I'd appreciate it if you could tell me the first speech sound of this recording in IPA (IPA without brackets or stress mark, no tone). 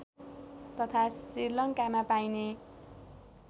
t̪